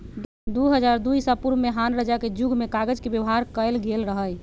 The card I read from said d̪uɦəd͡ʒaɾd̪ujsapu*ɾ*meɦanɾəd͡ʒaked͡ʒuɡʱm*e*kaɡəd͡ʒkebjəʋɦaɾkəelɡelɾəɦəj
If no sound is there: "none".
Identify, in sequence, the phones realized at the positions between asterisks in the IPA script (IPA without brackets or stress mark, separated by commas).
ɾ, e